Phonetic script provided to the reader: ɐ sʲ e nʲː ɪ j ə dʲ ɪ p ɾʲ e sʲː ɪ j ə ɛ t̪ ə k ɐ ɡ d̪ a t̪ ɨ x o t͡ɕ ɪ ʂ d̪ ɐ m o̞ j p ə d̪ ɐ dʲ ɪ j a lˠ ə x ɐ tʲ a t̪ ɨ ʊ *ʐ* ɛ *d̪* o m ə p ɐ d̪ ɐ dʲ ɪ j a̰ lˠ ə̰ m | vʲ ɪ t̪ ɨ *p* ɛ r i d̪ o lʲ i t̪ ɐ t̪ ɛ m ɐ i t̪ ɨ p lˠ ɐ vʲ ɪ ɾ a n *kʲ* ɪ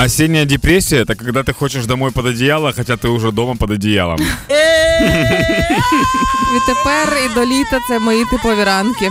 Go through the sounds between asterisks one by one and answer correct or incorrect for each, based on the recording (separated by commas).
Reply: correct, correct, correct, correct